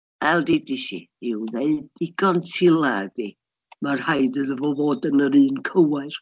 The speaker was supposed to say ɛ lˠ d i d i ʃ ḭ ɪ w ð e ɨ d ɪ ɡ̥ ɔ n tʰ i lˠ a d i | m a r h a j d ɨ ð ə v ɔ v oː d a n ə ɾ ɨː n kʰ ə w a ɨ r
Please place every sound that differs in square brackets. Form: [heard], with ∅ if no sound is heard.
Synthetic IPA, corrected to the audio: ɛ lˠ d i d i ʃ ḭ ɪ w ð e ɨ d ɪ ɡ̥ ɔ n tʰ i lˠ a d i | m a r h a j d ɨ ð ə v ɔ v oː d [ə] n ə ɾ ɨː n kʰ ə w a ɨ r